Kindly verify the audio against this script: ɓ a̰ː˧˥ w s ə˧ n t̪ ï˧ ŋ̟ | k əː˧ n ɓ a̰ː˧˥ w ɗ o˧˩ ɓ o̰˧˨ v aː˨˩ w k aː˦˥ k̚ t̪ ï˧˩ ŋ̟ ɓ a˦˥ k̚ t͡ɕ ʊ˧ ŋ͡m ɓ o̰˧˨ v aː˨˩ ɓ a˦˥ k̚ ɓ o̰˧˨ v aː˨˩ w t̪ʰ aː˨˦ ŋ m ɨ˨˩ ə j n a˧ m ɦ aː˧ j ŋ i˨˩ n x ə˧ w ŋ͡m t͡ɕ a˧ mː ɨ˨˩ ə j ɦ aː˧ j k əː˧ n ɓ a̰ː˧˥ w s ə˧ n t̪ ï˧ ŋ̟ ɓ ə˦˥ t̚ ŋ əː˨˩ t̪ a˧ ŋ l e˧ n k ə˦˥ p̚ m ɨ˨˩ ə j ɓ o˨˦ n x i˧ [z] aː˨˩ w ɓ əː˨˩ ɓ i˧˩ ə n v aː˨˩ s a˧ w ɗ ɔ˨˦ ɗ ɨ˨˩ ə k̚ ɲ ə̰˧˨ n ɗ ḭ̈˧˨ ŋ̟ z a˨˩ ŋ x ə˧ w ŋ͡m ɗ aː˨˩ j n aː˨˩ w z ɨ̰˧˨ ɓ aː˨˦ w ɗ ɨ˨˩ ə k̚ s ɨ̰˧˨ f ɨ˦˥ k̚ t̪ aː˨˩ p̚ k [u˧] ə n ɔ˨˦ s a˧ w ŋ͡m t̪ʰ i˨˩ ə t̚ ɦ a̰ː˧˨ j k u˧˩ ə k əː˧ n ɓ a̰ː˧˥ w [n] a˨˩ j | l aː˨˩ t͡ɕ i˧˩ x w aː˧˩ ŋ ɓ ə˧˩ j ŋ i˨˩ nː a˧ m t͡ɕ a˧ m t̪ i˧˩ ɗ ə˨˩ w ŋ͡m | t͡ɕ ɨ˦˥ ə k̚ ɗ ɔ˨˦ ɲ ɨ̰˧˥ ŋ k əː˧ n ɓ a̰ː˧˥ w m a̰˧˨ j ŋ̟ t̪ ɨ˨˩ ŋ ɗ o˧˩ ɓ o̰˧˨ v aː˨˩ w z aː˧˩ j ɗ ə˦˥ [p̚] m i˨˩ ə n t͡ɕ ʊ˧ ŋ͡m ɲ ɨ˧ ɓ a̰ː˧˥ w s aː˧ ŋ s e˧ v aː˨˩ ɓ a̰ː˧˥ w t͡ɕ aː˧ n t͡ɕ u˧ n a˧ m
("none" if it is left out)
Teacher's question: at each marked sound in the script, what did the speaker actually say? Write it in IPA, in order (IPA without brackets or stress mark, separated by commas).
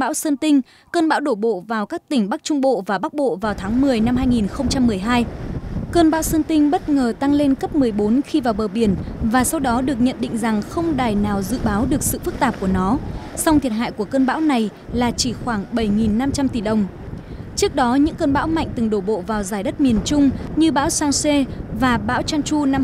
v, u˧˩, n, t̚